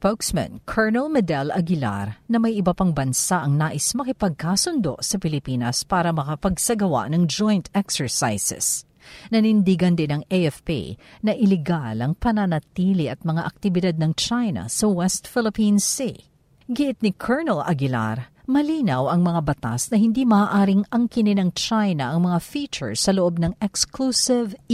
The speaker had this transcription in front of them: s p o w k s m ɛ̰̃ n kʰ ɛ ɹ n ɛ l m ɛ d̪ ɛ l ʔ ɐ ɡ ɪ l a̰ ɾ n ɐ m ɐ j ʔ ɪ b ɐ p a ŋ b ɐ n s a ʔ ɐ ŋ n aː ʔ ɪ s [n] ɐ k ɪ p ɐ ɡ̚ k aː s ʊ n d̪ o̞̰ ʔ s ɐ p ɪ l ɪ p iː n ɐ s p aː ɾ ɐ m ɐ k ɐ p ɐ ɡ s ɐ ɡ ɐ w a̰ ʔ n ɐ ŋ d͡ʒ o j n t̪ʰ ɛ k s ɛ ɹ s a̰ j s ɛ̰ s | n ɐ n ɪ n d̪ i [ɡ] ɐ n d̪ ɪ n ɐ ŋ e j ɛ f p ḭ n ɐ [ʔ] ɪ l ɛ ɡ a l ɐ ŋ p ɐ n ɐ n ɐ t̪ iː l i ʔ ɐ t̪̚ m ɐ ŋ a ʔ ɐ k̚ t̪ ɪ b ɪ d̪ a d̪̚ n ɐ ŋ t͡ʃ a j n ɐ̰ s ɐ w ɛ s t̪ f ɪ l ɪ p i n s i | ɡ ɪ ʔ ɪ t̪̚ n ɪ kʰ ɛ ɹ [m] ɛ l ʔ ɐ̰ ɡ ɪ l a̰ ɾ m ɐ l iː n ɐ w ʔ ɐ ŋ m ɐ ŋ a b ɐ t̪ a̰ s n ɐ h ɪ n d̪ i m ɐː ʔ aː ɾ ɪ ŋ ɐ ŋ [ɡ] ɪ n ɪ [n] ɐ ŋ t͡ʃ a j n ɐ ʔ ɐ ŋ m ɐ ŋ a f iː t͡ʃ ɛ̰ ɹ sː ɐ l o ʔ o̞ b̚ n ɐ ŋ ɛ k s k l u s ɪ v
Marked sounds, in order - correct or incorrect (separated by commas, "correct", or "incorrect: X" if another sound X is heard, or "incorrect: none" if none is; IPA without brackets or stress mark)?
incorrect: m, correct, correct, incorrect: n, incorrect: k, correct